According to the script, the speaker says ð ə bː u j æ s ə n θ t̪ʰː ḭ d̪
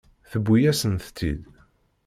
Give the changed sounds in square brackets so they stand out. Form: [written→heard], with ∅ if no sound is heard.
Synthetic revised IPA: [ð→θ] ə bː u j æ s ə n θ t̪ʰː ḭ d̪

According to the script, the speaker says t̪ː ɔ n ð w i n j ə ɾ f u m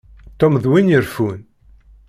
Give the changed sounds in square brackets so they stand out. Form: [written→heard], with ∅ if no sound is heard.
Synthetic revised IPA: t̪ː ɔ [n→m] ð w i n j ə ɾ f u [m→n]

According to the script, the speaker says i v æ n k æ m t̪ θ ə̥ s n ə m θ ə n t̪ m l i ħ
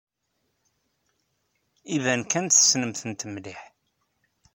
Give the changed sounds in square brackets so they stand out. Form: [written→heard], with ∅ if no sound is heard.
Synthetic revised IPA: i v æ n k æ [m→n] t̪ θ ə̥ s n ə m θ ə n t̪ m l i ħ

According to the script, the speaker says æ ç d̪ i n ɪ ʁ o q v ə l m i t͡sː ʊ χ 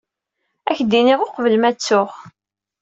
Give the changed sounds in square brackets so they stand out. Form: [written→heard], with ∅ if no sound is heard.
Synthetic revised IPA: æ ç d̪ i n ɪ ʁ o q v ə l m [i→æ] t͡sː ʊ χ

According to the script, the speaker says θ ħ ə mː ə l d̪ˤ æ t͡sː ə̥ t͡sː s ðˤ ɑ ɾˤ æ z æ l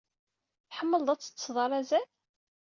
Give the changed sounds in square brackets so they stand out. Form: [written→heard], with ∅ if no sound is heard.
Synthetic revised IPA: θ ħ ə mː ə l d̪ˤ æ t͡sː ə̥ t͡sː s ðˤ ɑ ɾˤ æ z æ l

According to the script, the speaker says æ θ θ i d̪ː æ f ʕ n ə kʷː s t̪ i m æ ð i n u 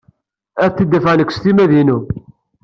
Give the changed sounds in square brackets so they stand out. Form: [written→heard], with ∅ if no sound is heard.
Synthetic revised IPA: æ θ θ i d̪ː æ f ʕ n ə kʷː s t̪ i m æ ð i n u

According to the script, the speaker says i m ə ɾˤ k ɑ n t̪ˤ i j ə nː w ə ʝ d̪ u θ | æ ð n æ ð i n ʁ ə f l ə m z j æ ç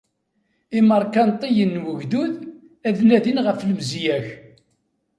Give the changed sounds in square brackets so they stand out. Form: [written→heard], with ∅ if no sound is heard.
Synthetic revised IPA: i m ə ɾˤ k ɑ n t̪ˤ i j ə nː w ə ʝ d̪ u [θ→ð] | æ ð n æ ð i n ʁ ə f l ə m z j æ ç

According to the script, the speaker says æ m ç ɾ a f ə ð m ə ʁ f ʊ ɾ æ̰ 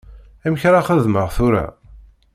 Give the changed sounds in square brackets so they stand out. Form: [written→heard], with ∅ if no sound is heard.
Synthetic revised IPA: æ m ç ɾ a [f→χ] ə ð m ə ʁ [f→θ] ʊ ɾ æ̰

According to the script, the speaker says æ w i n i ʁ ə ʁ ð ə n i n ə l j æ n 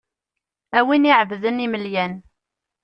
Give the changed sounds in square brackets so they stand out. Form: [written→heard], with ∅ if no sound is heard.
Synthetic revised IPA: æ w i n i [ʁ→ʕ] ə [ʁ→v] ð ə n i [n→m] ə l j æ n

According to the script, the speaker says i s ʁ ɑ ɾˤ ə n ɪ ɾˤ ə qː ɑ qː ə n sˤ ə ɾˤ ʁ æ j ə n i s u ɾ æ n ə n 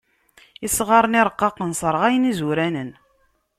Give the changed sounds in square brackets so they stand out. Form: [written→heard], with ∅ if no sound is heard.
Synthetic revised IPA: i s ʁ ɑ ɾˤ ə n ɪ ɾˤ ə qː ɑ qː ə n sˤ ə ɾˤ ʁ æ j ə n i [s→z] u ɾ æ n ə n

